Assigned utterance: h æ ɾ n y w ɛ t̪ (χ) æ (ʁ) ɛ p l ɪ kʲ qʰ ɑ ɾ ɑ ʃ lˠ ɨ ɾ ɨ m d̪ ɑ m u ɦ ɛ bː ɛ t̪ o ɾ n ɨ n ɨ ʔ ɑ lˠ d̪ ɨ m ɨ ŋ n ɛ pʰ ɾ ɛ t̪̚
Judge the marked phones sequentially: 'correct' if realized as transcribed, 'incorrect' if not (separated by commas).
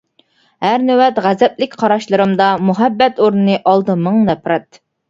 incorrect, incorrect